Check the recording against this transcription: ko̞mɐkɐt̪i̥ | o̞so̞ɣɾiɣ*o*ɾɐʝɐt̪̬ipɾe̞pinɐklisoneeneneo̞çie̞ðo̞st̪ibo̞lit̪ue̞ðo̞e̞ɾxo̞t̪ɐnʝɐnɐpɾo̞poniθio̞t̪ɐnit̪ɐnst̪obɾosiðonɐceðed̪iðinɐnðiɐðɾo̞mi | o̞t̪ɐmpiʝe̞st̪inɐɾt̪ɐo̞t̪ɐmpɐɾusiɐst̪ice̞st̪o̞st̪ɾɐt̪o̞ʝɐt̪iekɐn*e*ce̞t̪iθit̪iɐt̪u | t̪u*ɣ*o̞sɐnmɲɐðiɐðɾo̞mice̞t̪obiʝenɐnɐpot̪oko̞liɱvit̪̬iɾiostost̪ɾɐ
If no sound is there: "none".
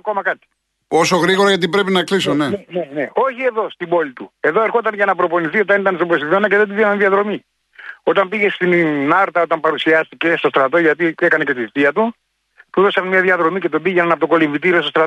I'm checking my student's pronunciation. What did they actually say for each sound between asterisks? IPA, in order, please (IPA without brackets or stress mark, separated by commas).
o, e, ð